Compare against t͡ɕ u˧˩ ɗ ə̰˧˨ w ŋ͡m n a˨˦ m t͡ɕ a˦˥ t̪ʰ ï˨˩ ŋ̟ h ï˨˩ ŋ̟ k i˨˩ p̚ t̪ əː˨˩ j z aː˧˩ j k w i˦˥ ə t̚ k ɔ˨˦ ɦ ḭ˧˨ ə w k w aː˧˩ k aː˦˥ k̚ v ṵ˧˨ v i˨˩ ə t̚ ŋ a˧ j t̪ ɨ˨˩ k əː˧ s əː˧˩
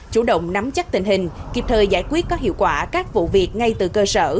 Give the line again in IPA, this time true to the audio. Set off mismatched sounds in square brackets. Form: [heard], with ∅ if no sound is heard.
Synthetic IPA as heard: t͡ɕ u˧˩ ɗ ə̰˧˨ w ŋ͡m n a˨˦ m t͡ɕ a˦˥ [t̪] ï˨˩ ŋ̟ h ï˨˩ ŋ̟ k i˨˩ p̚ [t̪ʰ] əː˨˩ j z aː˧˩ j k w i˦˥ ə t̚ k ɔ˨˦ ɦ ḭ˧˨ ə w k w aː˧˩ k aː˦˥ k̚ v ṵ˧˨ v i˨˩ ə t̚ ŋ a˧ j t̪ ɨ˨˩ k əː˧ s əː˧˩

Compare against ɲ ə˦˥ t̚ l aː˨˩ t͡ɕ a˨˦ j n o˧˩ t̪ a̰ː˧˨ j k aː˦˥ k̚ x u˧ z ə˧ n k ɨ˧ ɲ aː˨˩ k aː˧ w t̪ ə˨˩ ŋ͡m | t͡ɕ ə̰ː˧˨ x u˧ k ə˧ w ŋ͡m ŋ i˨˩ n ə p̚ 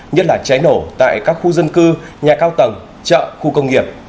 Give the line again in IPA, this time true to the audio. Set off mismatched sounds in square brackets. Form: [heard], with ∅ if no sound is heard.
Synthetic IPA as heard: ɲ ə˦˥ t̚ l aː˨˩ t͡ɕ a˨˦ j n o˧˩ t̪ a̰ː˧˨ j k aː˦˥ k̚ x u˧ z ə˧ n k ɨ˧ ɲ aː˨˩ k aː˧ w t̪ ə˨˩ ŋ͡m | t͡ɕ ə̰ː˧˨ x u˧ k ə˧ w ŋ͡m ŋ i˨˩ [∅] ə p̚

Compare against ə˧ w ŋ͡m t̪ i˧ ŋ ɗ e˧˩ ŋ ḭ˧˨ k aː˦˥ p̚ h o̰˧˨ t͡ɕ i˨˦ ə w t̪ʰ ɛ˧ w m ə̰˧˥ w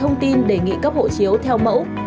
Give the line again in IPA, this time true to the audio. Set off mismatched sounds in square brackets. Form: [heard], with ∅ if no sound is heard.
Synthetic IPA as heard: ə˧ w ŋ͡m t̪ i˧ [n] ɗ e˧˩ ŋ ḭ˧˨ k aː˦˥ p̚ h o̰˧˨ t͡ɕ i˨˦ ə w t̪ʰ ɛ˧ w m ə̰˧˥ w

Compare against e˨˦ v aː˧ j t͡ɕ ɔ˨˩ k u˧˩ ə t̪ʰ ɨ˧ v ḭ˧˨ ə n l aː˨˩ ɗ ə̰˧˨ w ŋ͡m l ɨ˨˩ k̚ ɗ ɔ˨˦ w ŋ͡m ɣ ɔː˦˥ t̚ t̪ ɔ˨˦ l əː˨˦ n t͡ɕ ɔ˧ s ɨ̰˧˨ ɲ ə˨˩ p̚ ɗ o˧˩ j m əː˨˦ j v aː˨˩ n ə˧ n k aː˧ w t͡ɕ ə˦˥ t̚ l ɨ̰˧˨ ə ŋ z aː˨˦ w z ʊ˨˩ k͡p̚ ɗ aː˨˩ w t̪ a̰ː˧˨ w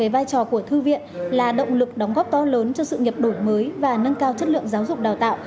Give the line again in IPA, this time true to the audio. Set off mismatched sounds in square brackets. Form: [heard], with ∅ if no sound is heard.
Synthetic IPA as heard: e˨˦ v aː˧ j t͡ɕ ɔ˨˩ k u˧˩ ə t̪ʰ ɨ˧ v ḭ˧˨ ə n l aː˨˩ ɗ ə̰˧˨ w ŋ͡m l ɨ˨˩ k̚ ɗ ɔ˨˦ w ŋ͡m ɣ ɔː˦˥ [p̚] t̪ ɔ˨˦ l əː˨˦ n t͡ɕ ɔ˧ s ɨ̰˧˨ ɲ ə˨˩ p̚ ɗ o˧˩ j m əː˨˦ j v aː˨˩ n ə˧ n k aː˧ w t͡ɕ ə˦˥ t̚ l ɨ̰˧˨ ə ŋ z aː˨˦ w z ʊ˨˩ k͡p̚ ɗ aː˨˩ w t̪ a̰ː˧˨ w

